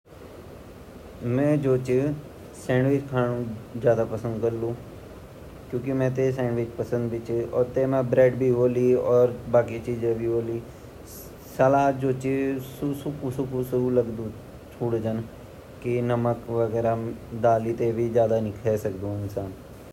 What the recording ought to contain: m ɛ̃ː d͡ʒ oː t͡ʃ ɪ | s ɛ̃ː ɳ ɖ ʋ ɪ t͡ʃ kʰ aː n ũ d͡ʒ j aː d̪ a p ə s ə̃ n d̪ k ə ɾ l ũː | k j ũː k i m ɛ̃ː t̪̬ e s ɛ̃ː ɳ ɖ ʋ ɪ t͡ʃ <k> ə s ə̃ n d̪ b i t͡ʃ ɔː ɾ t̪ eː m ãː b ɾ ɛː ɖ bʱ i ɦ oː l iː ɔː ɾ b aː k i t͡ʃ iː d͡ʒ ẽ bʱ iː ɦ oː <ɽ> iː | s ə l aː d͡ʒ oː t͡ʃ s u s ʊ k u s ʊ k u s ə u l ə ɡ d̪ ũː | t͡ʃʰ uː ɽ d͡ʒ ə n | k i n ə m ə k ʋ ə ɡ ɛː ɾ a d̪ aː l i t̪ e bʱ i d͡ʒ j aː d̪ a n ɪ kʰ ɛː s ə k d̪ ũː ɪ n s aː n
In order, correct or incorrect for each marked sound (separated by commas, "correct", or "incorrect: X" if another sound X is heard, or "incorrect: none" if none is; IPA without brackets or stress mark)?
incorrect: p, incorrect: l